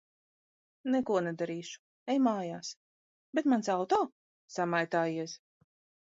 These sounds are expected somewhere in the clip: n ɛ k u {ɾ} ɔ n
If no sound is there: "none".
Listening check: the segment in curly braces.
none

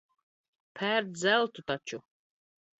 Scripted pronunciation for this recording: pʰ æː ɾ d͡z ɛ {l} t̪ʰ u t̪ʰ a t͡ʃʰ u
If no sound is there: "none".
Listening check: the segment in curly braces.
l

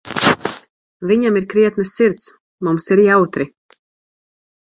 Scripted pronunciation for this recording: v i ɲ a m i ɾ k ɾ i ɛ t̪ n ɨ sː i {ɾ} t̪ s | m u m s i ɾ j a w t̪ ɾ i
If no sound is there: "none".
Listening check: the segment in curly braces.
ɾ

